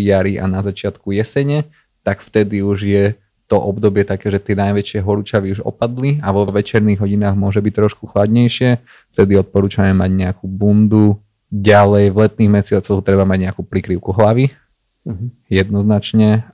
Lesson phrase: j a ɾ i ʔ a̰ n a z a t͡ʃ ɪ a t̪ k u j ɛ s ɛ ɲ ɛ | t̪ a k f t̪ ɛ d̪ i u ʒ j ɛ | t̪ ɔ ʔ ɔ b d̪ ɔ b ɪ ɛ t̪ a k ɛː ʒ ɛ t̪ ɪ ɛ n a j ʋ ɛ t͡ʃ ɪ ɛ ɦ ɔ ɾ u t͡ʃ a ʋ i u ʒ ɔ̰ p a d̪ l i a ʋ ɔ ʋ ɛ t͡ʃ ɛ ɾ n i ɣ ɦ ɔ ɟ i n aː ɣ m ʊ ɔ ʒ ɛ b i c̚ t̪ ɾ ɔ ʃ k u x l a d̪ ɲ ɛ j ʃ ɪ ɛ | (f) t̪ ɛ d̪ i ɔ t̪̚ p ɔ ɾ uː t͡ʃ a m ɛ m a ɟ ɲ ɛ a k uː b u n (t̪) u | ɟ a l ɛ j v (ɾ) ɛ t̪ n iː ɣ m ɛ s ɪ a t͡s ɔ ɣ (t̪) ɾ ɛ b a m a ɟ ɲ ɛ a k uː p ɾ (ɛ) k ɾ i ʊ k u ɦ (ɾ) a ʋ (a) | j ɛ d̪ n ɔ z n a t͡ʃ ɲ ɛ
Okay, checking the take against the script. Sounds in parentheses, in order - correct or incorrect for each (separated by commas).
correct, incorrect, incorrect, correct, incorrect, incorrect, incorrect